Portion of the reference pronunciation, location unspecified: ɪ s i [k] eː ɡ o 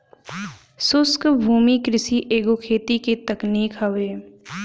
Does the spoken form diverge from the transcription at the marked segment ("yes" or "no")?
yes